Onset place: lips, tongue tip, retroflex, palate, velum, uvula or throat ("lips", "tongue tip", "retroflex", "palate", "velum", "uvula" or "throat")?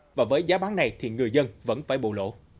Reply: lips